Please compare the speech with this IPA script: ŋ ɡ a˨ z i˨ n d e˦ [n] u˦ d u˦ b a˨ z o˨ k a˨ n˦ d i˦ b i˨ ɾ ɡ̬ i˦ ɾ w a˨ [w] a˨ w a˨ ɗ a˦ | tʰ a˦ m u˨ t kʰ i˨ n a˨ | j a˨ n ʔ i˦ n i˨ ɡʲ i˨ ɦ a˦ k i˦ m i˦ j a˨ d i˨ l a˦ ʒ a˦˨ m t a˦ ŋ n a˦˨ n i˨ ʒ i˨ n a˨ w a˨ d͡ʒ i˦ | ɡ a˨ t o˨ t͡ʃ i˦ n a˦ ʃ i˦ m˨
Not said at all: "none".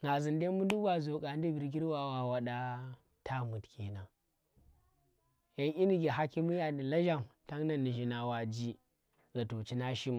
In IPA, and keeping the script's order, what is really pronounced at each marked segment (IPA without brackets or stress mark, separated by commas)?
m, w